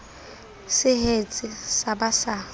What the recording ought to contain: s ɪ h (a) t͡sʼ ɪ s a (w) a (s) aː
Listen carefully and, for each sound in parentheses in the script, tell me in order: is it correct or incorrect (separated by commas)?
incorrect, incorrect, correct